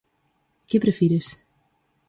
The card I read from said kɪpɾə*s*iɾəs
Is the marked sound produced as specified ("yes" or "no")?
no